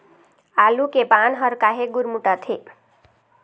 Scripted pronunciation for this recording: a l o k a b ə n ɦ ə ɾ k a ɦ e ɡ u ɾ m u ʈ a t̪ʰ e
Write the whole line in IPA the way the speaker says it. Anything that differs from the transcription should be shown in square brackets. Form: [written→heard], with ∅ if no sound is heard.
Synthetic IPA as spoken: a l [o→u] k [a→e] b [ə→a] n ɦ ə ɾ k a ɦ e ɡ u ɾ m u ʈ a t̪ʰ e